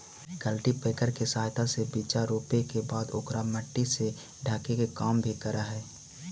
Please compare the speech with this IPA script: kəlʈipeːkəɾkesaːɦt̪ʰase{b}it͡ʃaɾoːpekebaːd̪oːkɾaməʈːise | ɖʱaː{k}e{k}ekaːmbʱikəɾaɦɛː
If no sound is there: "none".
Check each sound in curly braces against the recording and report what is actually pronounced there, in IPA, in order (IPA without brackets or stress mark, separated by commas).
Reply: b, k, k